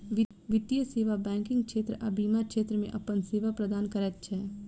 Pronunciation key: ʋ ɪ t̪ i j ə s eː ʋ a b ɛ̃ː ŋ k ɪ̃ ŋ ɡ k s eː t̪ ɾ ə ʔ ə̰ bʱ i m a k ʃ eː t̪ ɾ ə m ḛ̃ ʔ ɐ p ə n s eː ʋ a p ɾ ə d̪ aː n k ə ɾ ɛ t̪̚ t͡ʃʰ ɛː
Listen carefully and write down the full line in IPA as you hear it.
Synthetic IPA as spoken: ʋ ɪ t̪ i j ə s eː ʋ a b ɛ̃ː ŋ k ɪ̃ ŋ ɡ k ʃ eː t̪ ɾ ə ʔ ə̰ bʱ i m a k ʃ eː t̪ ɾ ə m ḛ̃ ʔ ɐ p ə n s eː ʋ a p ɾ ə d̪ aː n k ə ɾ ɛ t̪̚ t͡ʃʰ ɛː